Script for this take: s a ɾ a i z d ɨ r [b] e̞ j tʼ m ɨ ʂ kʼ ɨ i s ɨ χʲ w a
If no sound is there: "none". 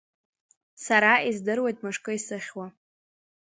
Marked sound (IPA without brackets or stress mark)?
w